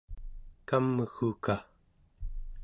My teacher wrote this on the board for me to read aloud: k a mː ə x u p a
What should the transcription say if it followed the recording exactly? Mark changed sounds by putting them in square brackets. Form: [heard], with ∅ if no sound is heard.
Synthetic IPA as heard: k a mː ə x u [k] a